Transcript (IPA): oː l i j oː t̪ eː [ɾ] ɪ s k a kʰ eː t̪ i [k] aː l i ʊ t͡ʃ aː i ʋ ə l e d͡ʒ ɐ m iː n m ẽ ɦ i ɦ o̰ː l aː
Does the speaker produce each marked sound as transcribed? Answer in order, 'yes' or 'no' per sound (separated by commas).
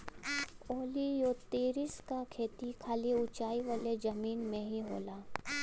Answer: yes, no